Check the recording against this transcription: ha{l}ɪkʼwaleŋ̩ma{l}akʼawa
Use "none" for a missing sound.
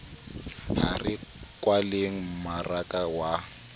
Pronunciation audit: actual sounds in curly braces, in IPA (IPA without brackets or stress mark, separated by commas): r, r